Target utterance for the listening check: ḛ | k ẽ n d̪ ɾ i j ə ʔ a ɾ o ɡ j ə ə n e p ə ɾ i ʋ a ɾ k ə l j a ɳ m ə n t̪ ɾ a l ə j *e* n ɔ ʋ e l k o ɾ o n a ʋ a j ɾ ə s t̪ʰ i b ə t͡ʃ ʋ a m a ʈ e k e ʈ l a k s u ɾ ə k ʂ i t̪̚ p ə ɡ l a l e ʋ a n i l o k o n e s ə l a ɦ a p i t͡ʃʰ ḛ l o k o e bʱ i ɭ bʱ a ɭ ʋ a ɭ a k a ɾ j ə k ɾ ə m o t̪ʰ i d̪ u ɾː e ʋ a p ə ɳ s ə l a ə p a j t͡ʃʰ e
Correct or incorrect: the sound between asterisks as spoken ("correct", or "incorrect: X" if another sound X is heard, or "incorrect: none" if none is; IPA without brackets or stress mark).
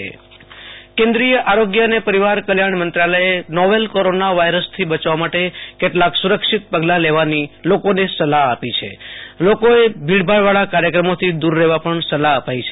correct